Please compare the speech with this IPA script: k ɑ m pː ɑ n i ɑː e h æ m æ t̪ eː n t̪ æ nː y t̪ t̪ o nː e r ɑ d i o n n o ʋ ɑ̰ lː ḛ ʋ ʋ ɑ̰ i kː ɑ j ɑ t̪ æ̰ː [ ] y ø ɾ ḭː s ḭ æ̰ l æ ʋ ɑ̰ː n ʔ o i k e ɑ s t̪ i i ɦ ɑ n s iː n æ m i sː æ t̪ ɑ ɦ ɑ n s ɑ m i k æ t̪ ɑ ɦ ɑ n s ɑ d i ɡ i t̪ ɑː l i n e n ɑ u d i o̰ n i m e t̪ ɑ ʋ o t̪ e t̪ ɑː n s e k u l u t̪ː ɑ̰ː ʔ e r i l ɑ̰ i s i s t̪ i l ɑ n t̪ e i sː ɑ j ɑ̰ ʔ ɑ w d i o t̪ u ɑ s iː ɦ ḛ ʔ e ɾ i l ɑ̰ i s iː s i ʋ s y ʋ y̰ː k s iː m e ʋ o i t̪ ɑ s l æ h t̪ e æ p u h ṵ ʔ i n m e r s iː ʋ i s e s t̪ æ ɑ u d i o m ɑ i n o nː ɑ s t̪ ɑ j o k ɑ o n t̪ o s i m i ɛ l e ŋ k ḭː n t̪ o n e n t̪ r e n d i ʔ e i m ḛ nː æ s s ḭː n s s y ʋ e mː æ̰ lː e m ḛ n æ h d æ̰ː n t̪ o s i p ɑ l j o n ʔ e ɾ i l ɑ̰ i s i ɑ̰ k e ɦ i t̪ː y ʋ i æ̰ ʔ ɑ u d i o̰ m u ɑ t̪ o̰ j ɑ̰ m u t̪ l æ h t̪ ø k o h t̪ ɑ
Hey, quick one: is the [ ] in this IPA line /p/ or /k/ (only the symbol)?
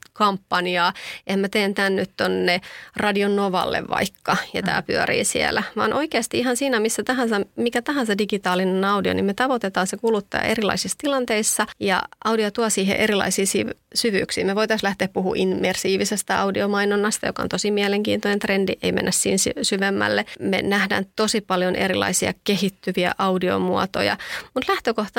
p